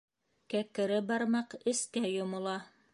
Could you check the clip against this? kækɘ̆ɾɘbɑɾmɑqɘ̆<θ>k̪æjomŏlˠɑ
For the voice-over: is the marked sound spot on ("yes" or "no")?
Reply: no